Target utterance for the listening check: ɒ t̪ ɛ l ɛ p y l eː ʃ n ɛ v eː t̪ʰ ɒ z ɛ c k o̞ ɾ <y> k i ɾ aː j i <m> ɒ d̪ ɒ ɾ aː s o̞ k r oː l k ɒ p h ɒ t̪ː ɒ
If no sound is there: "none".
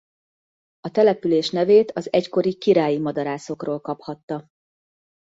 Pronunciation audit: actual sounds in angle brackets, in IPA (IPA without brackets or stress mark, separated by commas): i, m